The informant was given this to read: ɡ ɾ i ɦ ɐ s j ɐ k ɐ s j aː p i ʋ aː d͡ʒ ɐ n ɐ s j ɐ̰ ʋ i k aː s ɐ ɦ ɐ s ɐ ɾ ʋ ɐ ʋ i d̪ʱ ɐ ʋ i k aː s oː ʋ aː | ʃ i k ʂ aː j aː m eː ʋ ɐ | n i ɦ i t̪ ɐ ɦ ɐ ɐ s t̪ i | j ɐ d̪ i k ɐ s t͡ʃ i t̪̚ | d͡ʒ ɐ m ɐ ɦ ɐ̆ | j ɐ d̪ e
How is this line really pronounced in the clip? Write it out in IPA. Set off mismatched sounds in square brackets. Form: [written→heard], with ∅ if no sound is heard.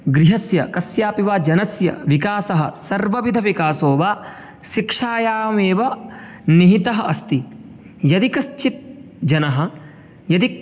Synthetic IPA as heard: ɡ ɾ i ɦ ɐ s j ɐ k ɐ s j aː p i ʋ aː d͡ʒ ɐ n ɐ s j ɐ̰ ʋ i k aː s ɐ ɦ ɐ s ɐ ɾ ʋ ɐ ʋ i d̪ʱ ɐ ʋ i k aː s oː ʋ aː | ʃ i k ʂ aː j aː m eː ʋ ɐ | n i ɦ i t̪ ɐ ɦ ɐ ɐ s t̪ i | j ɐ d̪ i k ɐ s t͡ʃ i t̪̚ | d͡ʒ ɐ [m→n] ɐ ɦ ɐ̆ | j ɐ d̪ [e→i]